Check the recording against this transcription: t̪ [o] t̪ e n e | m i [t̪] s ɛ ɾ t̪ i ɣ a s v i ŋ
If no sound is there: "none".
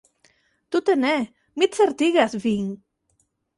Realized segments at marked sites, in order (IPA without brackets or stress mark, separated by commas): u, t̪